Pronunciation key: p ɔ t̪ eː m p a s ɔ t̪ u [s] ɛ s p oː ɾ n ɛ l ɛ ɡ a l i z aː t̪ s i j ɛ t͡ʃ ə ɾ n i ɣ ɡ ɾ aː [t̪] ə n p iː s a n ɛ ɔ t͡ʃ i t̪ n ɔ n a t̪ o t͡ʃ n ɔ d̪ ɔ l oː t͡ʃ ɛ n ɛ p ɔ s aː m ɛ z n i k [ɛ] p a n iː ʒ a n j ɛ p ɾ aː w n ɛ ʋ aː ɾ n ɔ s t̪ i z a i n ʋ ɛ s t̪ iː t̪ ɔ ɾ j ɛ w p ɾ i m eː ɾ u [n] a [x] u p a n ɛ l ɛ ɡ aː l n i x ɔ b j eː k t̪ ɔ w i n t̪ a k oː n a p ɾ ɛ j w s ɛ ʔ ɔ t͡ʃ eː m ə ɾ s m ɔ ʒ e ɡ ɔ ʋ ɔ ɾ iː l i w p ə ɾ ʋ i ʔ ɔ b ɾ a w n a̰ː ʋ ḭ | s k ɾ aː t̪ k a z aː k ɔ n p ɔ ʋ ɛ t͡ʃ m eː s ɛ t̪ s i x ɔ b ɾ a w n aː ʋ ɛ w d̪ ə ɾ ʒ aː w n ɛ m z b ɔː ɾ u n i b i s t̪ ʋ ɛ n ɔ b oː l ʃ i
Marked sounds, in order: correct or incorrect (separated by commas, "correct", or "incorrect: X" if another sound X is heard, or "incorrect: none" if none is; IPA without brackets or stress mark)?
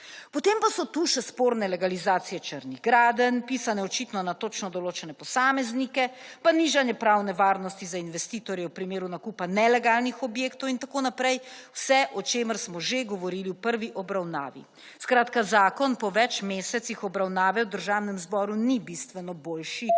incorrect: ʃ, incorrect: d̪, correct, correct, incorrect: k